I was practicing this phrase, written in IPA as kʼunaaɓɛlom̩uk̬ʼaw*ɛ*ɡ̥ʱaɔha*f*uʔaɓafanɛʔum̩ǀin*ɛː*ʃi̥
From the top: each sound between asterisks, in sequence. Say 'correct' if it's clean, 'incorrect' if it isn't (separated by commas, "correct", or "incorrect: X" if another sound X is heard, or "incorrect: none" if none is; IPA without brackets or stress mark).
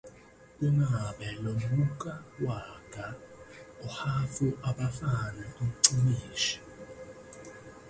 incorrect: a, correct, incorrect: iː